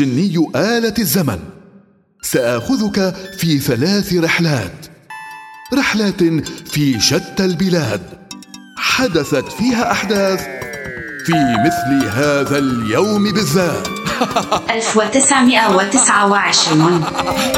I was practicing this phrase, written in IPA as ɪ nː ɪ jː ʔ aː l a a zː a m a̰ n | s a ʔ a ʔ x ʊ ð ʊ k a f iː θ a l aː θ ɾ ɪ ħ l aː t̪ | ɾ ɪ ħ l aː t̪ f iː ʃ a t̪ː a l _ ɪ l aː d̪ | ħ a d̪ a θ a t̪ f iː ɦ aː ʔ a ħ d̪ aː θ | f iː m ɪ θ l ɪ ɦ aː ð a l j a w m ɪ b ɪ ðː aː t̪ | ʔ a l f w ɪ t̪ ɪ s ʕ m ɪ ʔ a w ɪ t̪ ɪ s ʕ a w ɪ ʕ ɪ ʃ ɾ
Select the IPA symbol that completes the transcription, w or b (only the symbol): b